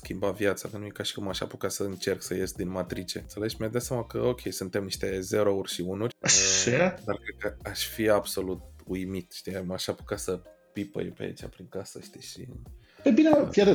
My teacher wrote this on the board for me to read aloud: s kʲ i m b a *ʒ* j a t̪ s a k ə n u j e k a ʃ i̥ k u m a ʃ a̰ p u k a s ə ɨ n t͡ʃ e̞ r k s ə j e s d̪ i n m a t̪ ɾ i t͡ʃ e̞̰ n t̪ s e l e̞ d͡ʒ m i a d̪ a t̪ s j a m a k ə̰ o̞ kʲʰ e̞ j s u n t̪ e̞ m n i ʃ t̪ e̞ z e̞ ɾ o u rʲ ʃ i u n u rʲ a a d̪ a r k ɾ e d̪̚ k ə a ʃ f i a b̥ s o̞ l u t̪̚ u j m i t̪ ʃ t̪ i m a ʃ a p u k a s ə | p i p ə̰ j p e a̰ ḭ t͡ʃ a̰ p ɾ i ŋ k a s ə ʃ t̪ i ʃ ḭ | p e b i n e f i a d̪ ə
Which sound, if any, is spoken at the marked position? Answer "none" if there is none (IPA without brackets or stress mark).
v